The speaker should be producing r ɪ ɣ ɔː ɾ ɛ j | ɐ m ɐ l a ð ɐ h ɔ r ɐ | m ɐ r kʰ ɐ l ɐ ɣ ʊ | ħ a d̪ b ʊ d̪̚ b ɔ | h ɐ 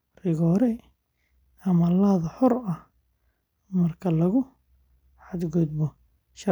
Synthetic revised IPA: r ɪ ɣ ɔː ɾ ɛ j | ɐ m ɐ l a ð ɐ ħ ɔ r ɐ | m ɐ r kʰ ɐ l ɐ ɣ ʊ | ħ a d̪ ɡ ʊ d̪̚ b ɔ | ʃ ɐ